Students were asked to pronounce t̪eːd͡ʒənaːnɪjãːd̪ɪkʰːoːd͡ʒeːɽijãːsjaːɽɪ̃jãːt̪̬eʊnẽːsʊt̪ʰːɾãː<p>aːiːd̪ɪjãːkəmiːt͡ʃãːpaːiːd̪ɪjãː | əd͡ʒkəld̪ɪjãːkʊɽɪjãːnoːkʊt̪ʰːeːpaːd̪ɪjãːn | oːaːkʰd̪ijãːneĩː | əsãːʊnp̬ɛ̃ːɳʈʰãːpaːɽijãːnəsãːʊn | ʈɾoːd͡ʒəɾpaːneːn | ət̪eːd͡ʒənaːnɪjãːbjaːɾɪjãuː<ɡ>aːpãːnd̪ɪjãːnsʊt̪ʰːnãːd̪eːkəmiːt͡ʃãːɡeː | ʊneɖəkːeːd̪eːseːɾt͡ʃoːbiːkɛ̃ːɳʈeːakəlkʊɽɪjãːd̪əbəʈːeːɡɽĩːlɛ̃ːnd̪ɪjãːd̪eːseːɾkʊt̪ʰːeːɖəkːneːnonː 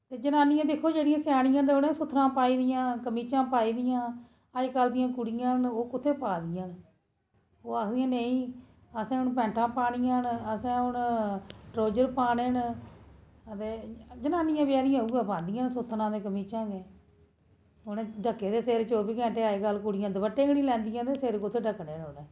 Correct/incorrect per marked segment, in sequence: correct, correct

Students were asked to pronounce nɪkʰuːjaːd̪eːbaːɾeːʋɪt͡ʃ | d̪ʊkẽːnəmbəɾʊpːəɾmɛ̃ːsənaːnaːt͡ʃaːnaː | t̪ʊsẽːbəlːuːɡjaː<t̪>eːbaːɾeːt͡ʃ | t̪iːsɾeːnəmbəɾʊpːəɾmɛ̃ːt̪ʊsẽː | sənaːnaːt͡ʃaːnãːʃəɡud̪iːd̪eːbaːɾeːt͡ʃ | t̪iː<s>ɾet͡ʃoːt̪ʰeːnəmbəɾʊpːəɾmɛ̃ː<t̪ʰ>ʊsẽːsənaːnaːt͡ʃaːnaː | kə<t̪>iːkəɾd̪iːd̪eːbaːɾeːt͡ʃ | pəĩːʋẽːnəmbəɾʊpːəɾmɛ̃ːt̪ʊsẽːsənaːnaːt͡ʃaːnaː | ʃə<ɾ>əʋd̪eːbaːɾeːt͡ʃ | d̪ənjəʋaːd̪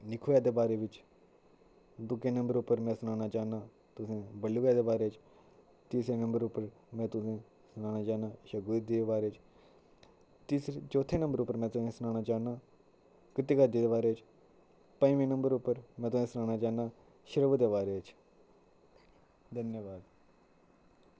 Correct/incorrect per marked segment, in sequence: incorrect: d̪, correct, incorrect: t̪, correct, correct

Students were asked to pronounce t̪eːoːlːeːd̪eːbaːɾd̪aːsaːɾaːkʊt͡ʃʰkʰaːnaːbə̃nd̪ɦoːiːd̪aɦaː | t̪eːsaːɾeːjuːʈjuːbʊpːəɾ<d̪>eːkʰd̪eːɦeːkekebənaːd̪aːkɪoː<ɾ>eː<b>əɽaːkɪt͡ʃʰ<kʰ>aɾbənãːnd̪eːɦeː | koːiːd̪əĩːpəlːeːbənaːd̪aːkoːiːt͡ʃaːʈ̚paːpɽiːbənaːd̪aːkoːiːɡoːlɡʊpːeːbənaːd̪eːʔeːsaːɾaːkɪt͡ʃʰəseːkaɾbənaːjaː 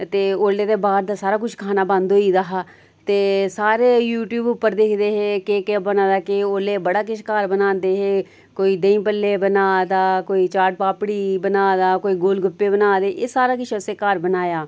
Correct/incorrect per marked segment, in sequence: correct, incorrect: l, correct, incorrect: k

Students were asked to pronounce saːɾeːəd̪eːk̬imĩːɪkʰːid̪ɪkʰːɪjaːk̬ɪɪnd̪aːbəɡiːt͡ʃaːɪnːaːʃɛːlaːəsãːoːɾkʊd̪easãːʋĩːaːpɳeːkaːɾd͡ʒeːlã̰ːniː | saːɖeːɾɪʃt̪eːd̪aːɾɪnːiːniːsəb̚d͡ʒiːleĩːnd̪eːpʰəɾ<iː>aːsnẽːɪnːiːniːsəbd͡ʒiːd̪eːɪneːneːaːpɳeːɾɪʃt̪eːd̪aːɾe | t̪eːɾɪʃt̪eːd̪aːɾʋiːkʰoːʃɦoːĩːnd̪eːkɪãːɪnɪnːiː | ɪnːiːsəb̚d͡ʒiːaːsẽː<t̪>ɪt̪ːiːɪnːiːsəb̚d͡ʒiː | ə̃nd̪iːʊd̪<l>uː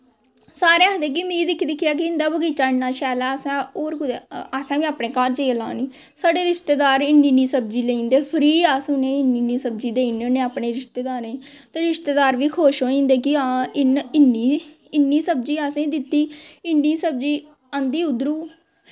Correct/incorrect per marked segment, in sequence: correct, incorrect: d̪, incorrect: ɾ

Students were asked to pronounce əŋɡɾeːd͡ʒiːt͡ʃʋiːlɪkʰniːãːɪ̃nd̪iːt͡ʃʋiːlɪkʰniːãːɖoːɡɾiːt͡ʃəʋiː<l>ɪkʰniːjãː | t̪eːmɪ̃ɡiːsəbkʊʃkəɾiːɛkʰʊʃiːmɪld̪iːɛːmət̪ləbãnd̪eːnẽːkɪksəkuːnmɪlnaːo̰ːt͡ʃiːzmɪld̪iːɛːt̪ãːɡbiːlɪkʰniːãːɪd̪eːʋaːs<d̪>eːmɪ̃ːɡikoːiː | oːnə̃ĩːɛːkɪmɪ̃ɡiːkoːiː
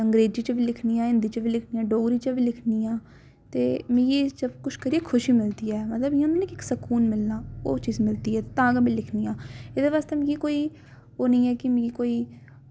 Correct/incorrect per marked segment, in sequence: correct, incorrect: t̪

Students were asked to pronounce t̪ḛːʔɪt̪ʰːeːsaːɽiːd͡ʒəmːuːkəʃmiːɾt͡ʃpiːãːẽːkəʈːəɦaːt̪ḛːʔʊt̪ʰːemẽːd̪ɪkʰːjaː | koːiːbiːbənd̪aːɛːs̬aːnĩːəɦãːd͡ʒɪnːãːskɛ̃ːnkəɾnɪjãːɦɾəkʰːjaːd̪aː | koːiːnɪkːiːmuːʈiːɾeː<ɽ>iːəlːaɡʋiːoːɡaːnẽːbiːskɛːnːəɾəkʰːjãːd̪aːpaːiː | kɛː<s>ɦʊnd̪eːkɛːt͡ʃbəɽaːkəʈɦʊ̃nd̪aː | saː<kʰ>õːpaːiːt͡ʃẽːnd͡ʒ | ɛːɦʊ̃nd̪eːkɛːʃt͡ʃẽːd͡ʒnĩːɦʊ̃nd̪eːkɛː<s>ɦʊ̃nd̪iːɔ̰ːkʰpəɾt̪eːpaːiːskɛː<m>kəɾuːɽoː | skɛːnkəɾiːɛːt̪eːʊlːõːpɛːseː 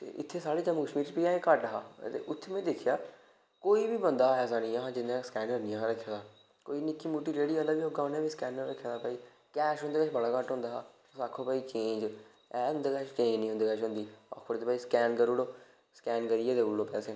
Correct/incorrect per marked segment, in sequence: correct, incorrect: ʃ, correct, incorrect: ʃ, incorrect: n

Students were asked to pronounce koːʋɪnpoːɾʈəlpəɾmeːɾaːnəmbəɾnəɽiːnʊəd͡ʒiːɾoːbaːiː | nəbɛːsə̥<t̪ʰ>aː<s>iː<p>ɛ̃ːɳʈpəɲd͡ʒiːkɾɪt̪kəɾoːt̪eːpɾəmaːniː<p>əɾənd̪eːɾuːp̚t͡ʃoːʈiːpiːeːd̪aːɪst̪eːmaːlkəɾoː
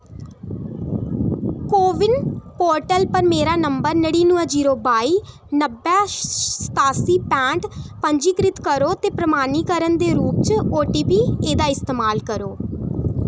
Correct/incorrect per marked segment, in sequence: incorrect: t̪, correct, correct, incorrect: k

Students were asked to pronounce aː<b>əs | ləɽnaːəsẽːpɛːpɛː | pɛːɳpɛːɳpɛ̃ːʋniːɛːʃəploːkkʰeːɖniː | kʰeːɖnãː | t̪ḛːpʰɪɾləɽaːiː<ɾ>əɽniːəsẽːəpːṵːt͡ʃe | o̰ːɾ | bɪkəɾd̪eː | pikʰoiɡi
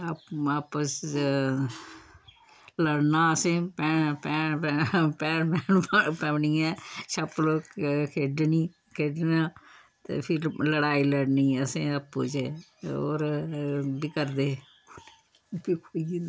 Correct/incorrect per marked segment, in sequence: incorrect: p, incorrect: l

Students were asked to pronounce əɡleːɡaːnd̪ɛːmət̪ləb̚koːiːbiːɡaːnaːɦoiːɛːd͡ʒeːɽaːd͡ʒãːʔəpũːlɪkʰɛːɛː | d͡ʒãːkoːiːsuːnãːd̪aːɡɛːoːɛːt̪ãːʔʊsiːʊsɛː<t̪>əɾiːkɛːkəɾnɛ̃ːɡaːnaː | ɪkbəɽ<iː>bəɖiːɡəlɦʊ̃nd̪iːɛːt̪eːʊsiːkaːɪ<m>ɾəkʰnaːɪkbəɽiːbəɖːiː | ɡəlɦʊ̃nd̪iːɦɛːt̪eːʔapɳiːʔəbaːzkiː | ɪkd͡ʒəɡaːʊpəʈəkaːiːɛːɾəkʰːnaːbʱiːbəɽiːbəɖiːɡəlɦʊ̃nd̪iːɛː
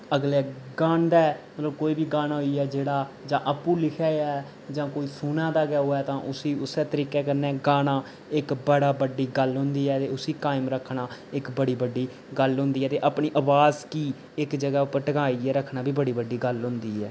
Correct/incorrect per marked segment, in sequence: correct, incorrect: aː, correct

